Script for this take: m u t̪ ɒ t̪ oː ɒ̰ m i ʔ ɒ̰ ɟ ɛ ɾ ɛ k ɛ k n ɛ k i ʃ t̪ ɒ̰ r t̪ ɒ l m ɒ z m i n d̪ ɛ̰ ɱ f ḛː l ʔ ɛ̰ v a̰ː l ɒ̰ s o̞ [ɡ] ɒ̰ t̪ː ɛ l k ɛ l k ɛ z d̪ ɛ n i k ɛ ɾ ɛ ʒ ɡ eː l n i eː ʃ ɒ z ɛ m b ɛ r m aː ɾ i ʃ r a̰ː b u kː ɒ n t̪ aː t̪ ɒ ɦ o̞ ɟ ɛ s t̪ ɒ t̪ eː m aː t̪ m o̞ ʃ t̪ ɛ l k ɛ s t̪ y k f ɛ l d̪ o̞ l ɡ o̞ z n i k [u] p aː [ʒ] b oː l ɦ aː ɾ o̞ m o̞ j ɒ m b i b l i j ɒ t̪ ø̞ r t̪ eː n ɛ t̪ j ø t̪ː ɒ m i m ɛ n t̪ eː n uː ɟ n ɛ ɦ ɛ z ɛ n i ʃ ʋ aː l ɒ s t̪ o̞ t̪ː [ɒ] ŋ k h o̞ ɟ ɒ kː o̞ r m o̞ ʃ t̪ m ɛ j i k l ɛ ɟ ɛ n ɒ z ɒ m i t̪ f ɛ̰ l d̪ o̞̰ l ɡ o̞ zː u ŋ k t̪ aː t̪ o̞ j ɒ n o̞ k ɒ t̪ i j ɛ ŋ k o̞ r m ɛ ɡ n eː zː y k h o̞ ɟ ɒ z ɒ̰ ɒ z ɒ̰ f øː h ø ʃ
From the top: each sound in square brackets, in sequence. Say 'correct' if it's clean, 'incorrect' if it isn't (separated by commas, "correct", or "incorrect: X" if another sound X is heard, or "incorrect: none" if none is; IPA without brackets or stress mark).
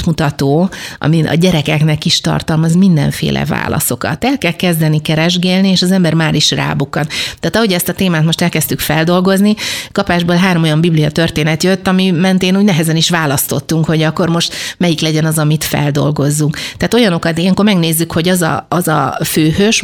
incorrect: k, incorrect: ɒ, correct, incorrect: u